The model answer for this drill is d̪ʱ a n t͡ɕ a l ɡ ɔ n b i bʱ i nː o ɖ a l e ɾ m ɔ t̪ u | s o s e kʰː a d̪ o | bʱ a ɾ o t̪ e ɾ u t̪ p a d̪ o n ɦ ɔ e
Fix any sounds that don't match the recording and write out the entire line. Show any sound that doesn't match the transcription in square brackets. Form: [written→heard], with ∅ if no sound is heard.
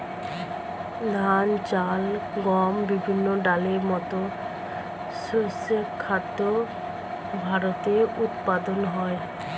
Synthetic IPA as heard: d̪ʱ a n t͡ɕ a l ɡ ɔ [n→m] b i bʱ i nː o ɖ a l e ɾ m ɔ t̪ [u→o] | s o s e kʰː a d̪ o | bʱ a ɾ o t̪ e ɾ u t̪ p a d̪ o n ɦ ɔ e

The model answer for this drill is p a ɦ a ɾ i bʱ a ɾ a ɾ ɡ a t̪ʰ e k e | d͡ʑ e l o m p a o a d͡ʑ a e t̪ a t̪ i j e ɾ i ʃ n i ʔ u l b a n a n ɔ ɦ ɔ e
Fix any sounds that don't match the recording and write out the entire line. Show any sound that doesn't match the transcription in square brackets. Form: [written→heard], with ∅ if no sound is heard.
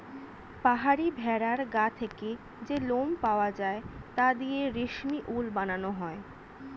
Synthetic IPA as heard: p a ɦ a ɾ i bʱ [a→ɛ] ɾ a ɾ ɡ a t̪ʰ e k e | d͡ʑ e l o m p a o a d͡ʑ a e t̪ a [t̪→d̪] i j e ɾ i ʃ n i ʔ u l b a n a n [ɔ→o] ɦ ɔ e

